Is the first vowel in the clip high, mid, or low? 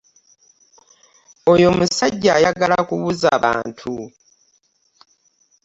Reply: mid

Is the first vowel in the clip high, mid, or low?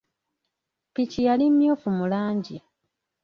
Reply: high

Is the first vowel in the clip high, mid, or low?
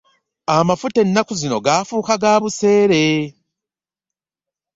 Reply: low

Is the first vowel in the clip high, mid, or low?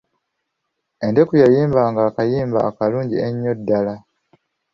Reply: mid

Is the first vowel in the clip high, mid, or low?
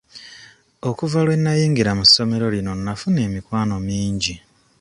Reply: mid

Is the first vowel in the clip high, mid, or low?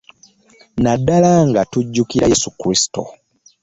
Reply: low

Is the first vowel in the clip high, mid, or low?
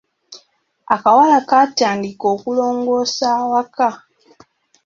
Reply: low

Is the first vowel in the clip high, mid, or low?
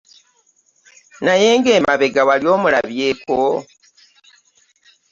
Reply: low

